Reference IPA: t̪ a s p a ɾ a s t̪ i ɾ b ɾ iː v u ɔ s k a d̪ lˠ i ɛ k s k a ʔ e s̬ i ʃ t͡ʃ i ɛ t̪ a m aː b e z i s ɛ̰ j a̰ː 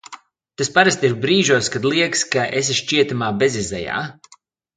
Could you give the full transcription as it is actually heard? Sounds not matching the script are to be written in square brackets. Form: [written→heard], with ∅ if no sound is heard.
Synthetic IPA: t̪ a s p a ɾ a s t̪ i ɾ b ɾ iː [v→ʒ] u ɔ s k a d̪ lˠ i ɛ k s k a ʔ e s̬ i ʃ t͡ʃ i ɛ t̪ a m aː b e z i [s→z] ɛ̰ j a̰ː